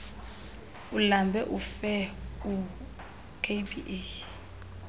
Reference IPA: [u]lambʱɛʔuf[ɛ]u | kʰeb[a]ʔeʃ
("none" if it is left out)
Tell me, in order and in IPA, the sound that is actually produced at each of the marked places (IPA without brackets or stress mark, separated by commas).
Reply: u, ɛ, i